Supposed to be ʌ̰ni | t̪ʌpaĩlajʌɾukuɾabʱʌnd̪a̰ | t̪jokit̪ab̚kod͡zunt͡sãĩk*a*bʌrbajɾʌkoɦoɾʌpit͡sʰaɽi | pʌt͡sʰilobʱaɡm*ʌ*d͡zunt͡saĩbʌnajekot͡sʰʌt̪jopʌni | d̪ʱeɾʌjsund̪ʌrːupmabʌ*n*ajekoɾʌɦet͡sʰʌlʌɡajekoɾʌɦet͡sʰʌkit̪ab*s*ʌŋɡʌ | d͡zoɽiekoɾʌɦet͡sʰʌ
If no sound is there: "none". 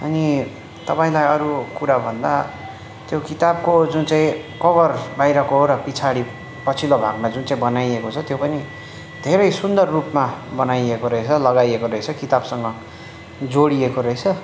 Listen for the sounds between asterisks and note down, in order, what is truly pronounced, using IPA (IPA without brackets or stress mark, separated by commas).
ʌ, a, n, s